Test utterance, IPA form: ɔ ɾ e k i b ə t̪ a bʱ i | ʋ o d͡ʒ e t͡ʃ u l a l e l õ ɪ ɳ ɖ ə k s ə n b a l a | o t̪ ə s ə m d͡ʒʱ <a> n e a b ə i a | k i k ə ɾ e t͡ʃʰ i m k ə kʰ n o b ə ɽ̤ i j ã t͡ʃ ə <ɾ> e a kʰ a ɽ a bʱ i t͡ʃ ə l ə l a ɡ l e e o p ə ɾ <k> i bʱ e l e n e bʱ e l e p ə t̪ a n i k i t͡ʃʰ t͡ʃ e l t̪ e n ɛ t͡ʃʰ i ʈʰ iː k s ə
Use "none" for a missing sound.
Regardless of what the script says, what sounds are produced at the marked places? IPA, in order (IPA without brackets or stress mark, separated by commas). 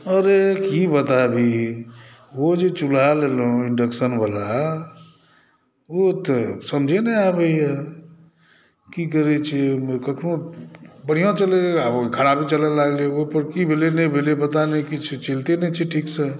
e, l, k